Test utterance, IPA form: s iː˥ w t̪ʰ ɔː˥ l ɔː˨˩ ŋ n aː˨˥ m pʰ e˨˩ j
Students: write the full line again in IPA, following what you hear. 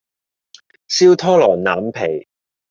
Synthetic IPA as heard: s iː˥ w t̪ʰ ɔː˥ l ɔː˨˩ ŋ n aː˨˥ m pʰ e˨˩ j